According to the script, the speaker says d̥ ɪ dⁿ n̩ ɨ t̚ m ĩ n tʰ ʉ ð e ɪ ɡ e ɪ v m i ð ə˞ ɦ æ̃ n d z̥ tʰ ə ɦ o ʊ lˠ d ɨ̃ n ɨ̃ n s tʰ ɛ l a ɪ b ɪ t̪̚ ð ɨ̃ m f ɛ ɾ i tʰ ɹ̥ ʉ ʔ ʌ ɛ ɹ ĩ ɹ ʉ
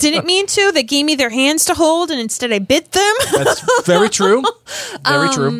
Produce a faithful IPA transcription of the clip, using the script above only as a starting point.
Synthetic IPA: d̥ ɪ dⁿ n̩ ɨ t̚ m ĩ n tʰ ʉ ð e ɪ ɡ e ɪ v m i ð ə˞ ɦ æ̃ n d z̥ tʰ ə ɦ o ʊ lˠ d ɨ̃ n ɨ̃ n s t ɛ ɾ a ɪ b ɪ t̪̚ ð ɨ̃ m v ɛ ɹ i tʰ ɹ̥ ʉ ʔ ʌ ɛ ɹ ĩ ɹ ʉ